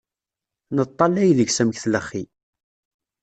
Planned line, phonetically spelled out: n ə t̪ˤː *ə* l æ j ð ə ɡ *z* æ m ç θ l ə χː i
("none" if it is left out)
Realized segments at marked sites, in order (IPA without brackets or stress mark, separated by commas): ɑ, s